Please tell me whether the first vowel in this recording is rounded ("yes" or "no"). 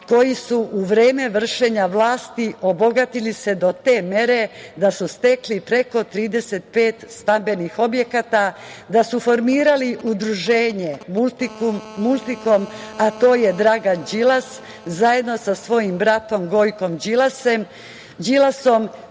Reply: yes